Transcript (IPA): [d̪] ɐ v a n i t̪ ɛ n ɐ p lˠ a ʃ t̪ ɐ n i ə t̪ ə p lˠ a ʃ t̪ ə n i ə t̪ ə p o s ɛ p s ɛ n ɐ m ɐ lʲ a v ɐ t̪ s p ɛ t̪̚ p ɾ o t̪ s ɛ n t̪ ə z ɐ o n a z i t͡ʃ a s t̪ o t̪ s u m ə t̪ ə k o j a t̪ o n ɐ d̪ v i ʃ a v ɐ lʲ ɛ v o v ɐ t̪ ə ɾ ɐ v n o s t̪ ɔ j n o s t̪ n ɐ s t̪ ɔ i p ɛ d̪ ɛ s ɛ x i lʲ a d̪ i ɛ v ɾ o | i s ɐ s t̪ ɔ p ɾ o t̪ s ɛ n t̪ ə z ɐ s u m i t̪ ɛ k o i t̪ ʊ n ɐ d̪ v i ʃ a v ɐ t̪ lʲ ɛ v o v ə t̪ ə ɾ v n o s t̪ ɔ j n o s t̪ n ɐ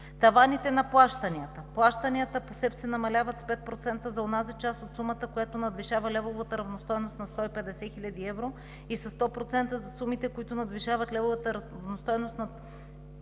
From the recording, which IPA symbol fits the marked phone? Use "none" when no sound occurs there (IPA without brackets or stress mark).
t̪